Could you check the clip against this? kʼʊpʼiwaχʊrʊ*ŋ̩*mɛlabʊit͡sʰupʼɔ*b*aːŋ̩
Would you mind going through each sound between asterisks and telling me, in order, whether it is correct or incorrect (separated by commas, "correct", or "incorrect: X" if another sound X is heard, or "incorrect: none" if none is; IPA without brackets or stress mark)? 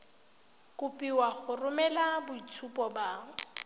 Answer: incorrect: none, correct